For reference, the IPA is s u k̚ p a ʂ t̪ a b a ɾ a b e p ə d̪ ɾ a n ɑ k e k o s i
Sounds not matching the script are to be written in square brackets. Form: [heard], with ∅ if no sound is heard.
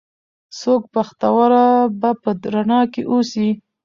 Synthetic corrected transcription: s [o] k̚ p a [x] t̪ a [w] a ɾ a b [a] p ə d̪ ɾ a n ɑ k e [ʔ] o s i